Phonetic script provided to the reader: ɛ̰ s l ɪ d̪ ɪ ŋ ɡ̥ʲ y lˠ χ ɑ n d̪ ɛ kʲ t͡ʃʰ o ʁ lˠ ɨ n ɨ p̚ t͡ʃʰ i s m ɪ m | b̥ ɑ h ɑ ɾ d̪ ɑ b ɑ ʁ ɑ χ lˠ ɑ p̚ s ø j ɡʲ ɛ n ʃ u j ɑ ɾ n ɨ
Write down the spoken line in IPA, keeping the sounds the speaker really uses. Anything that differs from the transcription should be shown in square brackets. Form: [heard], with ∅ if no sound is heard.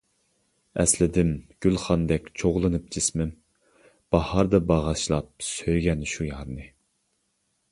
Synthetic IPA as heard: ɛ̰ s l ɪ d̪ ɪ [m] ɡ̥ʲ y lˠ χ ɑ n d̪ ɛ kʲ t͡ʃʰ o ʁ lˠ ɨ n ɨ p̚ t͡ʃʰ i s m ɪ m | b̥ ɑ h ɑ ɾ d̪ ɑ b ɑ ʁ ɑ [ʃ] lˠ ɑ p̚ s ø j ɡʲ ɛ n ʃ u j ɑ ɾ n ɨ